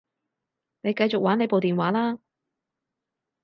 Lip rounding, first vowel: unrounded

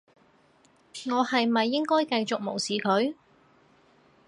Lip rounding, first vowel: rounded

